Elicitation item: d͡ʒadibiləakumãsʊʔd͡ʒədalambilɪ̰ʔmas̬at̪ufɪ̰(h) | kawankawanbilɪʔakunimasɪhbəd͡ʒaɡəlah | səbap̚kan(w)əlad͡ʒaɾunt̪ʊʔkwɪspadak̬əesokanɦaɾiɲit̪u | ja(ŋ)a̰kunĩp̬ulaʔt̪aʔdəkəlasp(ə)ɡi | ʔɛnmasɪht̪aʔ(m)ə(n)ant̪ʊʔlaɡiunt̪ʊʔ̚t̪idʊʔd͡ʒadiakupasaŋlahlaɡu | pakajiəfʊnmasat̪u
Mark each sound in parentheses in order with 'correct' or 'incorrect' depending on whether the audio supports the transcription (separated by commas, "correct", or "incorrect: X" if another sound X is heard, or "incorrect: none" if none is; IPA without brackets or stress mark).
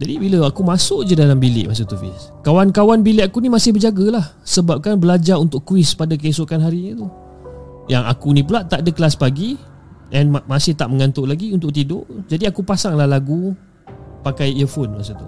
incorrect: s, incorrect: b, correct, incorrect: a, correct, incorrect: ŋ